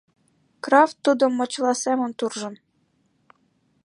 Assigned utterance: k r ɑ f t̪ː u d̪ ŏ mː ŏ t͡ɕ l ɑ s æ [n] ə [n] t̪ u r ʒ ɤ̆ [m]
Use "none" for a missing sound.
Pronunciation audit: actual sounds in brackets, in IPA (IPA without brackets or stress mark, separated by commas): m, n, n